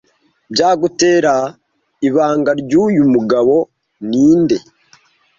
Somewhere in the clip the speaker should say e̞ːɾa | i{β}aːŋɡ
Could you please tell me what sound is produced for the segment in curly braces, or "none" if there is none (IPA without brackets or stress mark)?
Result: β